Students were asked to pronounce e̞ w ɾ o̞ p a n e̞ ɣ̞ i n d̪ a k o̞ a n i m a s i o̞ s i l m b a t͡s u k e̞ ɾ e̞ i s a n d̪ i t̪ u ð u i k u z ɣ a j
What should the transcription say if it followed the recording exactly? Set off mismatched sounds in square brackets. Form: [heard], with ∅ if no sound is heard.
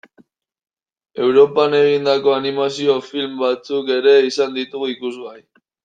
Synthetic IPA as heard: e̞ w ɾ o̞ p a n e̞ ɣ̞ i n d̪ a k o̞ a n i m a s i o̞ [f] i l m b a t͡s u k e̞ ɾ e̞ i s a n d̪ i t̪ u [ɣ] u i k u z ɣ a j

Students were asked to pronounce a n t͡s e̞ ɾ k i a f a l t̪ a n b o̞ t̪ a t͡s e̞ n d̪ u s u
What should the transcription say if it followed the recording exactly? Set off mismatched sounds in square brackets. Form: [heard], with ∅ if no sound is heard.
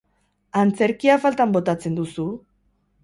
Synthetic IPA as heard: a n t͡s e̞ ɾ k i a f a l t̪ a [m] b o̞ t̪ a t͡s e̞ n d̪ u s u

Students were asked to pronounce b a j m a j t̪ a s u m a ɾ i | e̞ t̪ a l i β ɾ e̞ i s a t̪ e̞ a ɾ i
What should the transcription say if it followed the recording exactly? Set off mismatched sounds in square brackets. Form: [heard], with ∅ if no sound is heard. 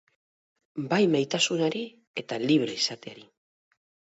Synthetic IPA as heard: b a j m a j t̪ a s u [n] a ɾ i | e̞ t̪ a l i β ɾ e̞ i s a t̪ e̞ a ɾ i

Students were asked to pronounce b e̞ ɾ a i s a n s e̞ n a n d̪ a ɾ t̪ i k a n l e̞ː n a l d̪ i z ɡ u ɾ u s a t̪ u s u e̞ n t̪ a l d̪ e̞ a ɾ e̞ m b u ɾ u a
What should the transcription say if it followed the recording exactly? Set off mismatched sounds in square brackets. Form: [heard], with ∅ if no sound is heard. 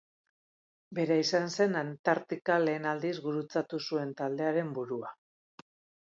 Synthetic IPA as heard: b e̞ ɾ a i s a n s e̞ n a n [t̪] a ɾ t̪ i k a [∅] l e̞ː n a l d̪ i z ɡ u ɾ u [t͡s] a t̪ u s u e̞ n t̪ a l d̪ e̞ a ɾ e̞ m b u ɾ u a

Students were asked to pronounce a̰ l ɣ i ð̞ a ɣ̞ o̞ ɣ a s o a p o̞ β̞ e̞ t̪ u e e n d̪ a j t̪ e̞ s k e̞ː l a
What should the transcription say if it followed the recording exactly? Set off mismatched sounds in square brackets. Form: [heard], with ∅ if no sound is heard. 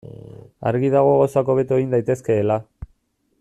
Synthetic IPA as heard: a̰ [ɾ] ɣ i ð̞ a ɣ̞ o̞ ɣ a s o a [k] o̞ β̞ e̞ t̪ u e [i] n d̪ a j t̪ e̞ s k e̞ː l a

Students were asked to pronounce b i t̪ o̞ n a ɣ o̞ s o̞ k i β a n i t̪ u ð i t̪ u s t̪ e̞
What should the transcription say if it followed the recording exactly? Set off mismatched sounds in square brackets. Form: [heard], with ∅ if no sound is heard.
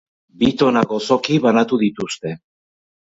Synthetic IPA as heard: b i t̪ o̞ n a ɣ o̞ s o̞ k i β a n [a] t̪ u ð i t̪ u s t̪ e̞

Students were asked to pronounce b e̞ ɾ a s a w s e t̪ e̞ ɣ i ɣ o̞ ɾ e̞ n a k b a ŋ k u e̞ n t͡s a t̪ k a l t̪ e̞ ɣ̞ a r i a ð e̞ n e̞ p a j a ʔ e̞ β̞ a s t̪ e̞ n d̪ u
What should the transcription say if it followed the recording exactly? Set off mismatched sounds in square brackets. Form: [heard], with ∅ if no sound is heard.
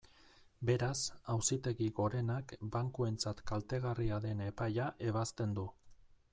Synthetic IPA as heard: b e̞ ɾ a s a w s [i] t̪ e̞ ɣ i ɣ o̞ ɾ e̞ n a k b a ŋ k u e̞ n t͡s a t̪ k a l t̪ e̞ ɣ̞ a r i a ð e̞ n e̞ p a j a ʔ e̞ β̞ a s t̪ e̞ n d̪ u

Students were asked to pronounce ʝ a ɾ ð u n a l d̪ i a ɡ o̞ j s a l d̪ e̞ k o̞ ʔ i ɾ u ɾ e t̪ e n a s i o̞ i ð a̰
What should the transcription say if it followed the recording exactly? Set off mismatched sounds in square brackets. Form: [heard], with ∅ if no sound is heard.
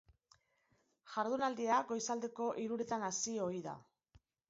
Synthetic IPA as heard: ʝ a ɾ ð u n a l d̪ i a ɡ o̞ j s a l d̪ e̞ k o̞ ʔ i ɾ u ɾ e t̪ [a] n a s i o̞ i ð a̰

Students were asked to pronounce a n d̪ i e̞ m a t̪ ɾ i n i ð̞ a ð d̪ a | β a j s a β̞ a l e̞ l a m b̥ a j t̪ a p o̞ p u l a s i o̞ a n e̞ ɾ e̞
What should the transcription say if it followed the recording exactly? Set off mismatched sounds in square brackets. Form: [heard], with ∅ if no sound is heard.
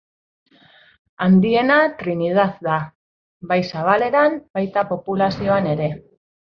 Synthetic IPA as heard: a n d̪ i e̞ [n] a t̪ ɾ i n i ð̞ a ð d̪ a | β a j s a β̞ a l e̞ [ɾ] a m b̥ a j t̪ a p o̞ p u l a s i o̞ a n e̞ ɾ e̞

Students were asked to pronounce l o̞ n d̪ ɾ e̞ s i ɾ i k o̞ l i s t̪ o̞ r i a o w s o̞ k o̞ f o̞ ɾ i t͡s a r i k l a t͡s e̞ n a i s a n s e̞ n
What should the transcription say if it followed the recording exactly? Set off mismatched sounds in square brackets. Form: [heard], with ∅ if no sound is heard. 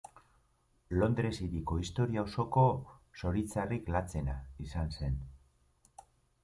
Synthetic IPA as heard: l o̞ n d̪ ɾ e̞ s i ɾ i k o̞ [∅] i s t̪ o̞ [ɾ] i a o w s o̞ k o̞ [s] o̞ ɾ i t͡s a r i k l a t͡s e̞ n a i s a n s e̞ n

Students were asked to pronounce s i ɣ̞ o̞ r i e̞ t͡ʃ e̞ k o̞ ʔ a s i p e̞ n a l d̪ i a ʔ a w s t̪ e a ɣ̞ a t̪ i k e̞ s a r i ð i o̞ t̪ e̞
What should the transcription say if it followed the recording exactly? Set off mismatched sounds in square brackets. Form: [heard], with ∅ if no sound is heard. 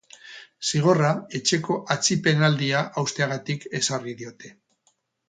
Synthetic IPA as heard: s i ɣ̞ o̞ r [a] e̞ t͡ʃ e̞ k o̞ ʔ a [t͡s] i p e̞ n a l d̪ i a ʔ a w s t̪ e a ɣ̞ a t̪ i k e̞ s a r i ð i o̞ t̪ e̞

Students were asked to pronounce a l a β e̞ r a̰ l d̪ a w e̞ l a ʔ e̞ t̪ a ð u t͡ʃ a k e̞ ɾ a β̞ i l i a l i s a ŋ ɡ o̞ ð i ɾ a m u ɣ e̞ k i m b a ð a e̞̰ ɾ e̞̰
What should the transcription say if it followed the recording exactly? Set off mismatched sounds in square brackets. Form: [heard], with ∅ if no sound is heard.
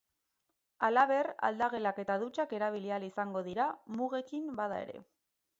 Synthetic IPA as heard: a l a β e̞ r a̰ l d̪ a [ɣ] e̞ l a [k] e̞ t̪ a ð u t͡ʃ a k e̞ ɾ a β̞ i l i a l i s a ŋ ɡ o̞ ð i ɾ a m u ɣ e̞ k i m b a ð a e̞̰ ɾ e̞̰

